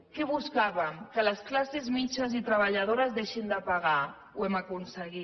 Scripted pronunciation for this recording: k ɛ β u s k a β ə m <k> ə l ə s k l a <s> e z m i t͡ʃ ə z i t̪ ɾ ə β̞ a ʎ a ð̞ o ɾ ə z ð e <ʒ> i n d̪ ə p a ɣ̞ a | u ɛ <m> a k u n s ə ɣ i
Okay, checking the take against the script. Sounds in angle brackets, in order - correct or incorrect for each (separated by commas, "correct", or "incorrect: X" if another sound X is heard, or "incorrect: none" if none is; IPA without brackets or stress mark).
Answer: correct, correct, incorrect: ʃ, correct